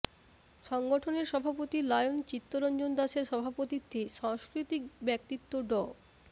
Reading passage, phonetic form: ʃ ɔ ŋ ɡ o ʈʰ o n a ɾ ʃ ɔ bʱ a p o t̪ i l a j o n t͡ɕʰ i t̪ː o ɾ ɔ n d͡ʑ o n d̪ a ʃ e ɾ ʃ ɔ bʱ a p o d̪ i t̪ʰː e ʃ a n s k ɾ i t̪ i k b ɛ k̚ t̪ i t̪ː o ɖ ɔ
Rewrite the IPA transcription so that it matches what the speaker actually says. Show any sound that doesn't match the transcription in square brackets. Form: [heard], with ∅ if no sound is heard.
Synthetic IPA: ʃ ɔ ŋ ɡ o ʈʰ o n [e] ɾ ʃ ɔ bʱ a p o t̪ i l a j o n [t͡ɕ] i t̪ː o ɾ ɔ n d͡ʑ o n d̪ a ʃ e ɾ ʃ ɔ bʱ a p o [t̪] i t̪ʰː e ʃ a [ŋ] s k ɾ i t̪ i k b ɛ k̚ t̪ i t̪ː o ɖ ɔ